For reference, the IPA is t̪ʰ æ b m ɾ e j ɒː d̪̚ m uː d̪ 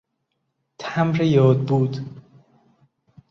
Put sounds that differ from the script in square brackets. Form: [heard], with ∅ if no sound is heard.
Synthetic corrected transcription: t̪ʰ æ [∅] m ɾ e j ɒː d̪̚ [b] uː d̪